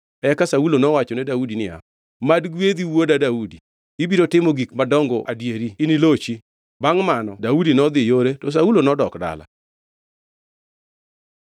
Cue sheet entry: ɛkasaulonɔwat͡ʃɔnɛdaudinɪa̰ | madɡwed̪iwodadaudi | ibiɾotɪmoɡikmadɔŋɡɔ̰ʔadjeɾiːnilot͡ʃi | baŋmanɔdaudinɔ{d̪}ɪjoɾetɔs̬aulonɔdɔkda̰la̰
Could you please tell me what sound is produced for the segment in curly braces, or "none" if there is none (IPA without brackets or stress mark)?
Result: d̪